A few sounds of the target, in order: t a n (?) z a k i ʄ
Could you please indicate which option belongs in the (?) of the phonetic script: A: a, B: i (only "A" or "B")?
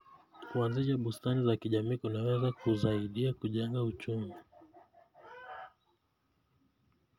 B